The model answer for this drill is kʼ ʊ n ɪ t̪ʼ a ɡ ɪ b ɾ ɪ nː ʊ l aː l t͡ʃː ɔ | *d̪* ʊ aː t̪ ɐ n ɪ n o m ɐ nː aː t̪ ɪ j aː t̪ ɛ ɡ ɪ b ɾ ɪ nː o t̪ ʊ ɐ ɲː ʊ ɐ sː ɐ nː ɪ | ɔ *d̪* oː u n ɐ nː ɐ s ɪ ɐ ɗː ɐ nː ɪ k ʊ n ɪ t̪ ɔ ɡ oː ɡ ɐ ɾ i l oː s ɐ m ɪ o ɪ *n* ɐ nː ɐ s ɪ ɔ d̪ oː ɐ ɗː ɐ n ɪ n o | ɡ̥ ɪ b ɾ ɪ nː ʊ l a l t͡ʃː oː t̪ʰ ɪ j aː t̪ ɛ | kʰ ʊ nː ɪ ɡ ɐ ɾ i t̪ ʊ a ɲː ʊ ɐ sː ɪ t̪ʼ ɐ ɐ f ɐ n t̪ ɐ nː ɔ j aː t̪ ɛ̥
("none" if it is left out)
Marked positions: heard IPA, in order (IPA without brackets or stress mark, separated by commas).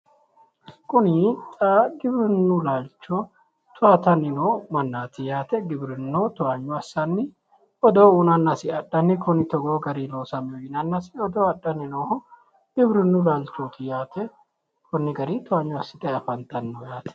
t̪, d̪, n